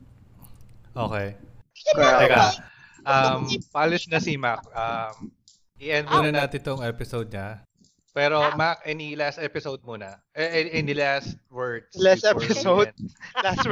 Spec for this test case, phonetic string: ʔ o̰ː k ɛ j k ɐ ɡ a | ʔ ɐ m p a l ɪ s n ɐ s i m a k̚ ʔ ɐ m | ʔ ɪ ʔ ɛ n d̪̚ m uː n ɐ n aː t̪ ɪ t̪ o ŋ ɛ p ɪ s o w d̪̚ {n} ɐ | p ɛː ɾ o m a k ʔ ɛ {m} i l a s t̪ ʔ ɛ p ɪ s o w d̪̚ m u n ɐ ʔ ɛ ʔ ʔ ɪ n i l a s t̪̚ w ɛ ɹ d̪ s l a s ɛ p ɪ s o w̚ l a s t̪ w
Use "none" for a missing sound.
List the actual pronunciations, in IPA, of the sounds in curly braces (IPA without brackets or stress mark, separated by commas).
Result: ɲ, n